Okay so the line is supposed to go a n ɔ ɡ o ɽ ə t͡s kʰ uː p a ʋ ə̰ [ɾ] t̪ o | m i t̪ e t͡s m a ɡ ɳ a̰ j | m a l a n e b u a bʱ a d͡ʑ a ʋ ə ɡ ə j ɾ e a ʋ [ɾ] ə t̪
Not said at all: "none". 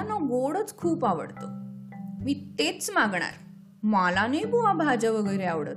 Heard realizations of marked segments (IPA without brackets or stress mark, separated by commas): ɽ, ɽ